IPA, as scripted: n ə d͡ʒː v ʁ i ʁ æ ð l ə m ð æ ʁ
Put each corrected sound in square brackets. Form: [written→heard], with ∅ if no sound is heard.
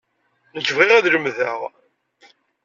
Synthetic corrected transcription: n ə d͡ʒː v ʁ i ʁ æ ð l ə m ð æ ʁ